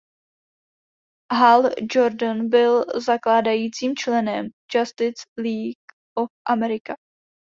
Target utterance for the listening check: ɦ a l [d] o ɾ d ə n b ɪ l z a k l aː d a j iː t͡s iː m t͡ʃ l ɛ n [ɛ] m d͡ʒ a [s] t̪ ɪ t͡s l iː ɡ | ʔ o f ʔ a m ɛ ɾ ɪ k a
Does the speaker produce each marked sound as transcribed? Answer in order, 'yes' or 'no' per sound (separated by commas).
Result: no, yes, yes